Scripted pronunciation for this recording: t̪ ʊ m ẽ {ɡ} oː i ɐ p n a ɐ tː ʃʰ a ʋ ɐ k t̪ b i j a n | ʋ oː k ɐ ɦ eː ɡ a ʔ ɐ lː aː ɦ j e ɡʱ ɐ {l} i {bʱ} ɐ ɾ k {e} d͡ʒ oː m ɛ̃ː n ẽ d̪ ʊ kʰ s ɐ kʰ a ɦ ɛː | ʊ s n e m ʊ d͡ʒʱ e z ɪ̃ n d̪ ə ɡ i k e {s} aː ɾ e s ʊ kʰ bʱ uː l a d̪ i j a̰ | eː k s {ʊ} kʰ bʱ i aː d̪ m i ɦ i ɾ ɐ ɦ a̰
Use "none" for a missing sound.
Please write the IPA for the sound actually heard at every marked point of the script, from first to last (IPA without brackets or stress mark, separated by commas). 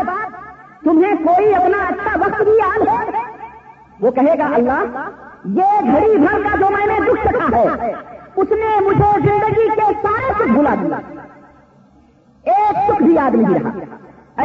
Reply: k, ɽ, bʱ, a, s, ʊ